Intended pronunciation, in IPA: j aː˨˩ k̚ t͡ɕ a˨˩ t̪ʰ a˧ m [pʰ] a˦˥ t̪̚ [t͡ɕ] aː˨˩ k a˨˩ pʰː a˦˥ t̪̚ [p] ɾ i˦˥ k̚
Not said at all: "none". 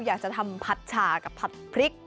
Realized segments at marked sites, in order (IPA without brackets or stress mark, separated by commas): pʰ, t͡ɕʰ, pʰ